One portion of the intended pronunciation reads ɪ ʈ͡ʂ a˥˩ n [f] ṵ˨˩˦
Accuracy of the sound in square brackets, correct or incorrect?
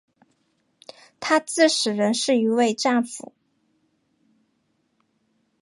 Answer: correct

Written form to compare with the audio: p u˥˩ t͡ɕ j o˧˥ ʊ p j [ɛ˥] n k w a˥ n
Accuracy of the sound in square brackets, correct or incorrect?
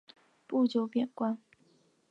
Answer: incorrect: ɛ˨˩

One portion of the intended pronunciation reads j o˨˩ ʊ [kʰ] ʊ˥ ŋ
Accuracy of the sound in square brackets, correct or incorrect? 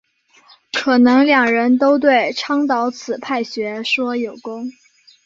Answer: incorrect: k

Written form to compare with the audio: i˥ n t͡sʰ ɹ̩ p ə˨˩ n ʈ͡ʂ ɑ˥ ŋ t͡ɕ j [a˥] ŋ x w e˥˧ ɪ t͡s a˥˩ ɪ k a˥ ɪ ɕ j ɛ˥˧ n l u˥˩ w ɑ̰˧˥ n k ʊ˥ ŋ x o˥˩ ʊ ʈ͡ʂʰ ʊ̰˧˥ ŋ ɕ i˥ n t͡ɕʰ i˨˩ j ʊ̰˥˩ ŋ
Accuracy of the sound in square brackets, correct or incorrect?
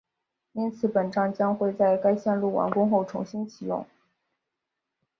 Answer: incorrect: ɑ˥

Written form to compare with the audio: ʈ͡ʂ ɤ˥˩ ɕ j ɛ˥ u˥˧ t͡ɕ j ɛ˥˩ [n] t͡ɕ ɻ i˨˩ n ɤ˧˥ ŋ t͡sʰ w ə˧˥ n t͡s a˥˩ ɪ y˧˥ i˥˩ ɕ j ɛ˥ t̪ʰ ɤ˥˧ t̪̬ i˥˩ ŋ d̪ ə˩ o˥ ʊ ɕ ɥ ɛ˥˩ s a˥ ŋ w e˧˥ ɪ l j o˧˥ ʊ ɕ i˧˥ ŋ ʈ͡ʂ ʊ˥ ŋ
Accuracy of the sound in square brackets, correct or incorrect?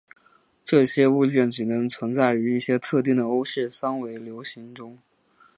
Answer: correct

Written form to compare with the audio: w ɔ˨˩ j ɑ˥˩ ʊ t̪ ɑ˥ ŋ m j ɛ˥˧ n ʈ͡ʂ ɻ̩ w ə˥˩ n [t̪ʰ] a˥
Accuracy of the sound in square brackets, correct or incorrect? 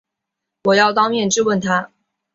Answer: correct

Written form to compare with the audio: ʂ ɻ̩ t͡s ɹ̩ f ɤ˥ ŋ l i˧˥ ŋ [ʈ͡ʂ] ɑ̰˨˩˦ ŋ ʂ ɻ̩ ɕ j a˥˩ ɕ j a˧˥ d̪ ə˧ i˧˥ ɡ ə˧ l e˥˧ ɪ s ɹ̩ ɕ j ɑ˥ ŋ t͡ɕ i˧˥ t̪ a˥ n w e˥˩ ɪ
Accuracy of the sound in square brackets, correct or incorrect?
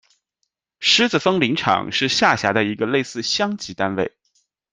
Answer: incorrect: ʈ͡ʂʰ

